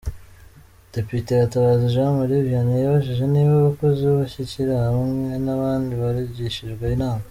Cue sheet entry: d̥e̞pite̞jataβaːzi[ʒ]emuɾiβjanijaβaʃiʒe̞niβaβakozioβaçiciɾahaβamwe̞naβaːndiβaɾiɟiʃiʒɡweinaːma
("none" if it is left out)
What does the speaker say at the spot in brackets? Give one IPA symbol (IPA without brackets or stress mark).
ʒ